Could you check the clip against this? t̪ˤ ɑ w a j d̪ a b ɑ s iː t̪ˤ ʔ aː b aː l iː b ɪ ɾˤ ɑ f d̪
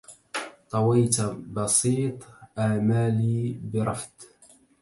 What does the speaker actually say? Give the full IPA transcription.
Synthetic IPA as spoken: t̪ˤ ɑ w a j t̪ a b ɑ s iː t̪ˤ ʔ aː m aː l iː b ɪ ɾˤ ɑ f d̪